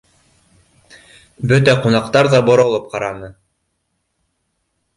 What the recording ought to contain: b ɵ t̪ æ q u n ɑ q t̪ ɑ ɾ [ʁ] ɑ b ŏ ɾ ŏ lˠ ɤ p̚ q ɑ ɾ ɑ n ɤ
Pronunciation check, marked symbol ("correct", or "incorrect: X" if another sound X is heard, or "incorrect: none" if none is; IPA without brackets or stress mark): incorrect: ð